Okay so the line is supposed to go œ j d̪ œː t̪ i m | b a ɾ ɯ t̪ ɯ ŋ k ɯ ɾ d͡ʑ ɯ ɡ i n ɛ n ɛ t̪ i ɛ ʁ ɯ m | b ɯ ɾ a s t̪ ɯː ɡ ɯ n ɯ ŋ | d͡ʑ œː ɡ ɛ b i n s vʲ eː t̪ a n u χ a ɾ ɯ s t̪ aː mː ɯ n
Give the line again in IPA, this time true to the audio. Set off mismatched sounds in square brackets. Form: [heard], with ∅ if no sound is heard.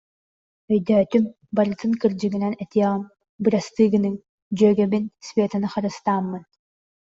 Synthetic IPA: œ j d̪ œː t̪ [y] m | b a ɾ ɯ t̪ ɯ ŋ k ɯ ɾ d͡ʑ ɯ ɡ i n ɛ n ɛ t̪ i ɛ ʁ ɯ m | b ɯ ɾ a s t̪ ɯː ɡ ɯ n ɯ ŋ | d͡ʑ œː ɡ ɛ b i n s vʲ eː t̪ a n [ɯ] χ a ɾ ɯ s t̪ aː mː ɯ n